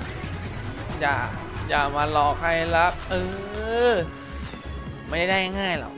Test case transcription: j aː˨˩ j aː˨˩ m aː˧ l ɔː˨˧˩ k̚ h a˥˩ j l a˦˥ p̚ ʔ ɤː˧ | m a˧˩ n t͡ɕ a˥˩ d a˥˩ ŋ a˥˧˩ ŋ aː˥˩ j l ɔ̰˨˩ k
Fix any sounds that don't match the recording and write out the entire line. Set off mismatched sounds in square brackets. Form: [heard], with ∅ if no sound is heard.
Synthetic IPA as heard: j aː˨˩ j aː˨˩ m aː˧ l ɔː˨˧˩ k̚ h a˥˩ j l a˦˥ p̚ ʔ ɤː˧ | m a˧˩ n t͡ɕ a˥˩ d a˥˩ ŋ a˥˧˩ ŋ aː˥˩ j l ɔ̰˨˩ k